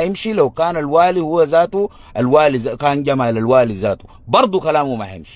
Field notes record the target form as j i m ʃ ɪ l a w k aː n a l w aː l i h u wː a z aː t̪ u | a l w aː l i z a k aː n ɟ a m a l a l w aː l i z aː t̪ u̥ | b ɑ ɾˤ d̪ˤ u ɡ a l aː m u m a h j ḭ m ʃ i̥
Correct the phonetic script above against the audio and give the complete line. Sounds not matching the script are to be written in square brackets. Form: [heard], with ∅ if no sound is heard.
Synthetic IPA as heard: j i m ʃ [i] l a w k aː n a l w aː l i h u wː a z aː t̪ u | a l w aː l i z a k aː n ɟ a m a l a l w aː l i z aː t̪ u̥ | b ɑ ɾˤ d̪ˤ u [k] a l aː m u m a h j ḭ m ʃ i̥